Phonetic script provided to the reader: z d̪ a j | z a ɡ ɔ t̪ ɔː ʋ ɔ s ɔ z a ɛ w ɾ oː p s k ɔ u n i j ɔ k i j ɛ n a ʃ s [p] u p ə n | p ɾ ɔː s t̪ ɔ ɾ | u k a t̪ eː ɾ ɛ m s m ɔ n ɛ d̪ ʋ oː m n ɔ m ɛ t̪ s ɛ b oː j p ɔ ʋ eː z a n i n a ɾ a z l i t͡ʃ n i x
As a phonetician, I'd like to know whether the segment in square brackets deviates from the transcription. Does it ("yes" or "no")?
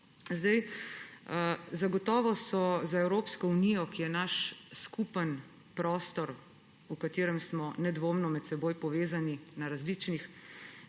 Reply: yes